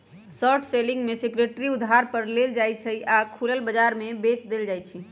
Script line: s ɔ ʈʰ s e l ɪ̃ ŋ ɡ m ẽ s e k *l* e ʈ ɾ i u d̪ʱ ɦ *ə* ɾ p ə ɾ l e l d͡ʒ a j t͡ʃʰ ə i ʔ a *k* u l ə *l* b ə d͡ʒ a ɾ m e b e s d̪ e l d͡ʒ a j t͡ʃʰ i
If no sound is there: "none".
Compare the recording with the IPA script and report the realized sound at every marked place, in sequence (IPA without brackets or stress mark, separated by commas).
ɾ, a, kʰ, l